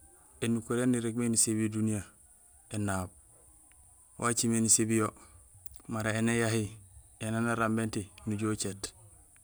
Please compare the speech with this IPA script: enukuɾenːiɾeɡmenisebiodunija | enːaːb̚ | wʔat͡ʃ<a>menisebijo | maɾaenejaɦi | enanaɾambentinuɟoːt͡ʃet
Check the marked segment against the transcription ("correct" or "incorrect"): incorrect